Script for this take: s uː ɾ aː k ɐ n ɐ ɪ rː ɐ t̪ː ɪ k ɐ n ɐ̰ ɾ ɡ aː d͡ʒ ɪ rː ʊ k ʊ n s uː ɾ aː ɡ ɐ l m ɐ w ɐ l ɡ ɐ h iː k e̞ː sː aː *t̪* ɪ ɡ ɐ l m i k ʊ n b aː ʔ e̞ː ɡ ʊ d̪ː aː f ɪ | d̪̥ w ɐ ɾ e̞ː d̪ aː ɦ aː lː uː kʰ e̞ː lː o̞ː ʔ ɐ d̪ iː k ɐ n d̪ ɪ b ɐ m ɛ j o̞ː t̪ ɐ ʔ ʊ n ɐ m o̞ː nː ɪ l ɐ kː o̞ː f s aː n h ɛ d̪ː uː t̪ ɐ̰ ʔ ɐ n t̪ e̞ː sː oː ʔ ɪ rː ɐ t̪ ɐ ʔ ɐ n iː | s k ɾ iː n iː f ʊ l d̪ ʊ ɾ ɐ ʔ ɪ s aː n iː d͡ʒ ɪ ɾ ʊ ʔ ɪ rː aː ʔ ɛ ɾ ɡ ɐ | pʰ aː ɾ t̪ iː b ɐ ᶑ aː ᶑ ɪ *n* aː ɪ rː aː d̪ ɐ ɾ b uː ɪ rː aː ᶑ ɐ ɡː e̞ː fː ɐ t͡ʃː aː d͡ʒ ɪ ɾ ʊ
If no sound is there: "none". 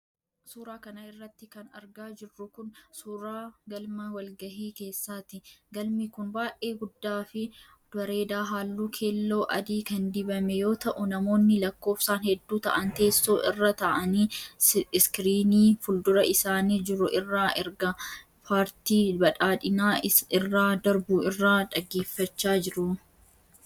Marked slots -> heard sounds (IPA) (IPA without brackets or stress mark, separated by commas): t̪, n